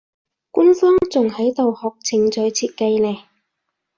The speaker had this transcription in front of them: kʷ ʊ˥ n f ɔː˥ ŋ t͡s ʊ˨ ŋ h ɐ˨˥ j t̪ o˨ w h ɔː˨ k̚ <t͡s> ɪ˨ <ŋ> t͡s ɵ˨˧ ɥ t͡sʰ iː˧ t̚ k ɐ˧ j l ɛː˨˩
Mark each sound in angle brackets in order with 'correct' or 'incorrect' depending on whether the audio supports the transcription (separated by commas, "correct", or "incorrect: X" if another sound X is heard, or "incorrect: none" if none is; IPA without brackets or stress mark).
incorrect: t͡sʰ, correct